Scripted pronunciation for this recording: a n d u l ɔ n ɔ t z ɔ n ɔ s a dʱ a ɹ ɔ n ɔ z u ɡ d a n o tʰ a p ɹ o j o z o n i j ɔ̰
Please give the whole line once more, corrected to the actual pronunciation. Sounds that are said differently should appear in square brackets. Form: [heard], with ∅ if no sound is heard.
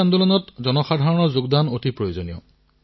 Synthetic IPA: a n d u l ɔ n ɔ t z ɔ n ɔ [x] a dʱ a ɹ ɔ n ɔ z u ɡ d a n o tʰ [i] p ɹ o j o z o n i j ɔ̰